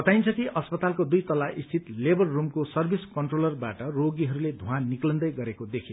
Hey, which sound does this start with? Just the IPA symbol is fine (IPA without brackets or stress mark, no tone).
ʌ